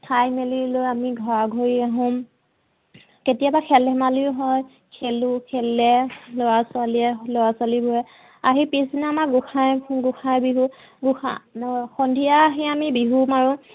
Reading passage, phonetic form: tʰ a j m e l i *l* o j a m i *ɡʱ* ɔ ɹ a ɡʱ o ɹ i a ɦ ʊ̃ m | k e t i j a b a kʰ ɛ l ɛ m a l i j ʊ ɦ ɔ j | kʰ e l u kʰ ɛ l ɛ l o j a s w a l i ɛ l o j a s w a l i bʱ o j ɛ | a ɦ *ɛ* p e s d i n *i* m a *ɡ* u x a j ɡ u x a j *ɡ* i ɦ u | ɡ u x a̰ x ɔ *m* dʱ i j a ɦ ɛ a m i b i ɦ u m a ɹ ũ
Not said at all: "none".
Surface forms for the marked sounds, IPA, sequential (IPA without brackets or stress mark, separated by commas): l, ɡʱ, i, a, ɡ, b, n